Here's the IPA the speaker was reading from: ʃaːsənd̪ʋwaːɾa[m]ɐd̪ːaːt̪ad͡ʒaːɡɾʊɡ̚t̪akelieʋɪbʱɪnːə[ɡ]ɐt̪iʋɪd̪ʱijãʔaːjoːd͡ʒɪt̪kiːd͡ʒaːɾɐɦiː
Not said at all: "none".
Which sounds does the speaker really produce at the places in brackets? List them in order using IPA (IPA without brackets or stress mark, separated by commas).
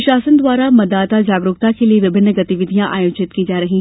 m, ɡ